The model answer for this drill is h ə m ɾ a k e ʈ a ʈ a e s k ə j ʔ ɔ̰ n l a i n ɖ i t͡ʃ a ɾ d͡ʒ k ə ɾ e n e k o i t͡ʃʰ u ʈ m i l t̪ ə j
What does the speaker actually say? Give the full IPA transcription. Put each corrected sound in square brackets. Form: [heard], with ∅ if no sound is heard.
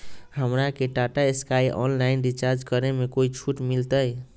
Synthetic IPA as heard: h ə m ɾ a k e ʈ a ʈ a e s k [a] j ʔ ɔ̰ n l a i n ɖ i t͡ʃ a ɾ d͡ʒ k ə ɾ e [m] e k o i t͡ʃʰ u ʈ m i l t̪ ə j